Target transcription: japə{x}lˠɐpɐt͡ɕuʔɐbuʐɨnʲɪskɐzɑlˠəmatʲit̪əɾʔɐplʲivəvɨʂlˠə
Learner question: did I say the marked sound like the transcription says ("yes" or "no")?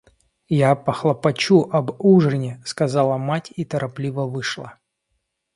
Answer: yes